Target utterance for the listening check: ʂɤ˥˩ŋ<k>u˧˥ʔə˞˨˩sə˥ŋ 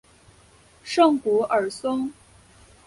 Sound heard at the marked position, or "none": k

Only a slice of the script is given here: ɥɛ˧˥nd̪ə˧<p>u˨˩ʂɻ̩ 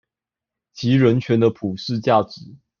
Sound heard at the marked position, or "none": pʰ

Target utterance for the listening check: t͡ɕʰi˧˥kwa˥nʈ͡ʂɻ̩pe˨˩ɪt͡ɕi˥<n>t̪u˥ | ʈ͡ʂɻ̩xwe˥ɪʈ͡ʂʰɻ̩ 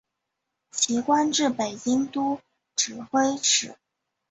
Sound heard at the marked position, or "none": ŋ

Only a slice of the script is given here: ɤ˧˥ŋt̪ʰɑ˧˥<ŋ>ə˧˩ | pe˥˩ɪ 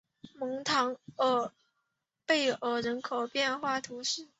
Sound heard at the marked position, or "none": ŋ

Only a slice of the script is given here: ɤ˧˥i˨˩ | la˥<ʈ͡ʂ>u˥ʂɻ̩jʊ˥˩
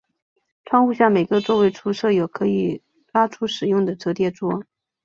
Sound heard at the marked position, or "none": ʈ͡ʂʰ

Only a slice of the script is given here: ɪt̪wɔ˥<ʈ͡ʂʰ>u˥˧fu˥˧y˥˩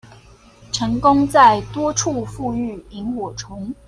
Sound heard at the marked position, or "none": ʈ͡ʂʰ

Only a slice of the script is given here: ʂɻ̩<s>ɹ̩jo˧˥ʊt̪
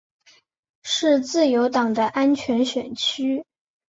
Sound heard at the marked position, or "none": t͡s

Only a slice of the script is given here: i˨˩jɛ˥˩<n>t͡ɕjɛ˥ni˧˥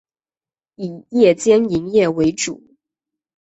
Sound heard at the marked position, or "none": none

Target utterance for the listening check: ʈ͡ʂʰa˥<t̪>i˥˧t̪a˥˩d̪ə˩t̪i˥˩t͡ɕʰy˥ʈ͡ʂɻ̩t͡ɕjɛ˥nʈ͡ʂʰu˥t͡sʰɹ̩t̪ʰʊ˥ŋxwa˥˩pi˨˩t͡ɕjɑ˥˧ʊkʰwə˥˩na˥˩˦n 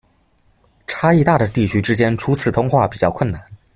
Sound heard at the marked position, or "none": none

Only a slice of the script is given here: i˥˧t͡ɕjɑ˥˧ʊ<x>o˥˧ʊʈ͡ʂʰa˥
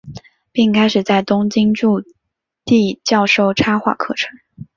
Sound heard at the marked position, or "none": ʂ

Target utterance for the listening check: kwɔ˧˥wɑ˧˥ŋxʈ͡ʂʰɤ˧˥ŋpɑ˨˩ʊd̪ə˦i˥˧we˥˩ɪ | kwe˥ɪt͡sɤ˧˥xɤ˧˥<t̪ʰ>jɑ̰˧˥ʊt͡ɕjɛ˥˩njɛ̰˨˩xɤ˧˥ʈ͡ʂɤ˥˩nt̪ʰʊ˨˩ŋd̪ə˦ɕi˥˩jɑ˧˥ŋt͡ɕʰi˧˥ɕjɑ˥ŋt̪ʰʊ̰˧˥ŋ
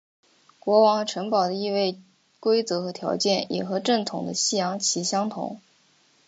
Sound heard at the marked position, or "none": t̪ʰ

